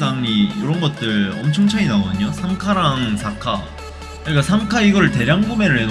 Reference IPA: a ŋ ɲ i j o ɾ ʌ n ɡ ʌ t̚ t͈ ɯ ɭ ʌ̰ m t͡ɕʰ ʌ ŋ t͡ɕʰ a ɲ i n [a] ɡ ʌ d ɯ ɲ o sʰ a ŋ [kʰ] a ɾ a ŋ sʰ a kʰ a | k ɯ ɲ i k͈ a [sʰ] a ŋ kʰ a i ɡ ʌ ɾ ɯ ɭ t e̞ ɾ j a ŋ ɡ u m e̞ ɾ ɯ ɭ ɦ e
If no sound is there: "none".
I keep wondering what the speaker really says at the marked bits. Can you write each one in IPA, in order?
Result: a, kʰ, sʰ

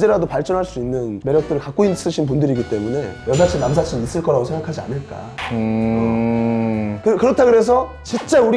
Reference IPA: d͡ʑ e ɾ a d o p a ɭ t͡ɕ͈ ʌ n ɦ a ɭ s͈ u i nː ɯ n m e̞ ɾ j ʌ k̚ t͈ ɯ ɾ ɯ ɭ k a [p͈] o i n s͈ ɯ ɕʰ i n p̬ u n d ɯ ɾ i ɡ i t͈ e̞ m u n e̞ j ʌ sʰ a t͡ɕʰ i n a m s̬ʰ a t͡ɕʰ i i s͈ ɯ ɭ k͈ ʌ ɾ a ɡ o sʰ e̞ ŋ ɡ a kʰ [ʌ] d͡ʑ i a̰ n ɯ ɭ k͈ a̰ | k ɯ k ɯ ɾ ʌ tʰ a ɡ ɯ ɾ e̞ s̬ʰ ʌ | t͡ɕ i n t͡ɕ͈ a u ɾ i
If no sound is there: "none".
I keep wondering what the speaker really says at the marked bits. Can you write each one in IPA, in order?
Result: k͈, a

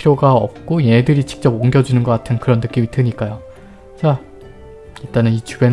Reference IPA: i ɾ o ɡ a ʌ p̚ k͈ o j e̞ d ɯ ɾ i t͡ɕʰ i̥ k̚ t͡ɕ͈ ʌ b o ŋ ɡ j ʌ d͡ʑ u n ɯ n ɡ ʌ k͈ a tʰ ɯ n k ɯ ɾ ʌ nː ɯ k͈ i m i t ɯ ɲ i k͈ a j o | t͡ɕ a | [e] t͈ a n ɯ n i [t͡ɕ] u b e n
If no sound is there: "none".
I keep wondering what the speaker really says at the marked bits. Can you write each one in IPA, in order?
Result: i, t͡ɕ

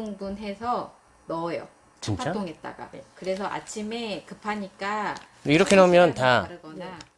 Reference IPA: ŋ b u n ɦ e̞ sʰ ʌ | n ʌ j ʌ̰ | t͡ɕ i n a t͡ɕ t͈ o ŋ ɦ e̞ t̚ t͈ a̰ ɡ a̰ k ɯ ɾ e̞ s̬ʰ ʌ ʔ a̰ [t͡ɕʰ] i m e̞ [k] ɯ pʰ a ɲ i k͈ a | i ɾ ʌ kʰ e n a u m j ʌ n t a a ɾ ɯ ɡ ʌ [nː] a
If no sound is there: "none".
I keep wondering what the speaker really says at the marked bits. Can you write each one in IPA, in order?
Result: t͡ɕʰ, k, n

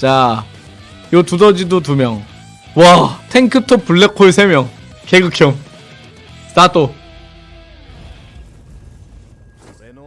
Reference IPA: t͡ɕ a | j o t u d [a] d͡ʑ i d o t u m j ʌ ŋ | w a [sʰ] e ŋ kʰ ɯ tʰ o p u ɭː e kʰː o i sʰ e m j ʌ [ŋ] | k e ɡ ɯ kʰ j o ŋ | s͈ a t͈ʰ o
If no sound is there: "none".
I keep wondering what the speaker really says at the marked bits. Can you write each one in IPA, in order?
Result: ʌ, tʰ, ŋ

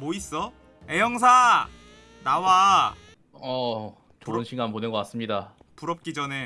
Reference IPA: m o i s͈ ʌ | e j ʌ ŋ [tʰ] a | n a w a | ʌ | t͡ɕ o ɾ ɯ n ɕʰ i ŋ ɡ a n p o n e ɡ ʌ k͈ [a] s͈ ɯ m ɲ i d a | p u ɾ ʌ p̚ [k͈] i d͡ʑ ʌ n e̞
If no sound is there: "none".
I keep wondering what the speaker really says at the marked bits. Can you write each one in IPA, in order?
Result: sʰ, a, k͈

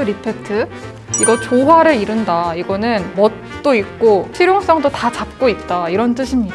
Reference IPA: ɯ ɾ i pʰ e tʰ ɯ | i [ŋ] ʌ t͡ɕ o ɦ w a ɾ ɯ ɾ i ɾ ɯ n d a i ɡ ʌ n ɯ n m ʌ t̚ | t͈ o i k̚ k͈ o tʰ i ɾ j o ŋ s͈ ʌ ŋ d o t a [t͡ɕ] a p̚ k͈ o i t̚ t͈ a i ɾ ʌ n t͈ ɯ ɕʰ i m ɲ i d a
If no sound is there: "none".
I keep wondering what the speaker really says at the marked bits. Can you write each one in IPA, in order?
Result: ɡ, t͡ɕ

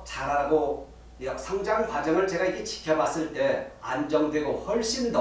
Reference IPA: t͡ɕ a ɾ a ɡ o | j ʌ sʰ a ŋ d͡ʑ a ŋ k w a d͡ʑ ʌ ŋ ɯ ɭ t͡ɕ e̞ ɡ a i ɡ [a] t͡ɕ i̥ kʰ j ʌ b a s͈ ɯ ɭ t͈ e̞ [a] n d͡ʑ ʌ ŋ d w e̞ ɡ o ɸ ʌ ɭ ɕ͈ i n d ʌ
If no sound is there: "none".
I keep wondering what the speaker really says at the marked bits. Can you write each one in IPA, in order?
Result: e, a

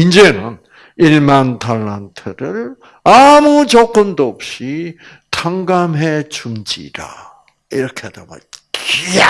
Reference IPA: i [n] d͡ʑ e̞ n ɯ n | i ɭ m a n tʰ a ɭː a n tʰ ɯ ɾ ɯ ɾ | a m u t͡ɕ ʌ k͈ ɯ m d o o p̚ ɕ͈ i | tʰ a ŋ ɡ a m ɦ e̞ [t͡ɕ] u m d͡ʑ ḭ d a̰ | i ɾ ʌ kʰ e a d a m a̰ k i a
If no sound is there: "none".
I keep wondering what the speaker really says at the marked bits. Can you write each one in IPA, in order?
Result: n, t͡ɕ

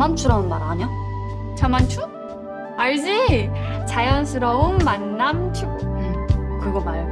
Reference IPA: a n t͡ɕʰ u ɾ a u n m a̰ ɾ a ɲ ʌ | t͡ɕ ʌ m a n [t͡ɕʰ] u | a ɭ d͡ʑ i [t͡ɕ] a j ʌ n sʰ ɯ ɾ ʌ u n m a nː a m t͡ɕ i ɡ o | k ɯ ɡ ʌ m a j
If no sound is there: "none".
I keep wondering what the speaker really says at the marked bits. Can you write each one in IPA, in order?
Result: t͡ɕʰ, t͡ɕ

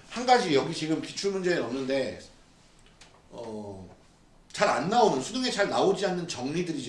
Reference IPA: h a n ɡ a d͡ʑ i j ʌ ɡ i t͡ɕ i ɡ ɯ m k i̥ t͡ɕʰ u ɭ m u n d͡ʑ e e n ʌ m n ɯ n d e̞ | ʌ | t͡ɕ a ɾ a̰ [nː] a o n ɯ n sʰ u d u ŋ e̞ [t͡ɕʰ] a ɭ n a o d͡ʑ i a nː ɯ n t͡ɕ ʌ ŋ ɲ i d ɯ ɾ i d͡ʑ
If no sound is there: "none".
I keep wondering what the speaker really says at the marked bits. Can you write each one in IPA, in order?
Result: nː, t͡ɕ

